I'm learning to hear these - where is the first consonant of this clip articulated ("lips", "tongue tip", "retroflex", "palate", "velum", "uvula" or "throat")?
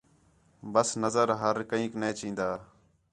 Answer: lips